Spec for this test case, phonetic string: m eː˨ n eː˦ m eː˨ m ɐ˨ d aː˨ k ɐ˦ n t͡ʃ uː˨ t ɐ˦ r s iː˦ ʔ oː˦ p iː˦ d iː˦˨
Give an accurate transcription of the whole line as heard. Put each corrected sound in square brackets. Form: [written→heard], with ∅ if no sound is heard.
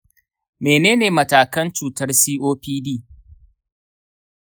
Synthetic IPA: m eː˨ n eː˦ [m→n] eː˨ m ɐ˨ [d→t] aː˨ k ɐ˦ n t͡ʃ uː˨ t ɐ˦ r s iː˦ ʔ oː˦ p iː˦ d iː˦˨